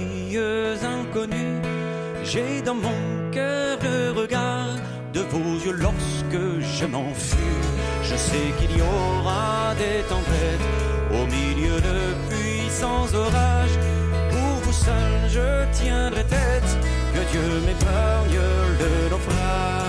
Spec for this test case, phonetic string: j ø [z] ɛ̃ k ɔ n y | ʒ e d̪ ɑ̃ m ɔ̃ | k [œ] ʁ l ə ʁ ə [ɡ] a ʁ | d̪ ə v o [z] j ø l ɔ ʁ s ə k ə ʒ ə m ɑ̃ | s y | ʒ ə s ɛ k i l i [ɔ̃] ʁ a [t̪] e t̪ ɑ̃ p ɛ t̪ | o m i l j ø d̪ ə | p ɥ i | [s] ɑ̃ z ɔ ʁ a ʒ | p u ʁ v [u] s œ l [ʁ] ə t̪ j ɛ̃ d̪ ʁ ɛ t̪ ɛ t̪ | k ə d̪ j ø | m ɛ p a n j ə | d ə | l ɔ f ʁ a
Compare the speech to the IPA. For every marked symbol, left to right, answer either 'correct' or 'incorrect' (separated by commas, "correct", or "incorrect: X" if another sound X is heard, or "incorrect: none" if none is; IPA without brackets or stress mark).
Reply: correct, correct, correct, correct, incorrect: ɔ, incorrect: d̪, correct, correct, incorrect: ʒ